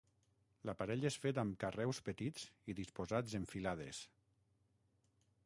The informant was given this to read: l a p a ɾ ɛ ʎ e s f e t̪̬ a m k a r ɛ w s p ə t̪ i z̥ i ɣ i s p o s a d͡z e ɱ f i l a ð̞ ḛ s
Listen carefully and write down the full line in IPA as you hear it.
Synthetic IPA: l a p a ɾ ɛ ʎ e s f e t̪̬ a m k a r ɛ w s p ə t̪ i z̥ i ð i s p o z a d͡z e ɱ f i l a ð̞ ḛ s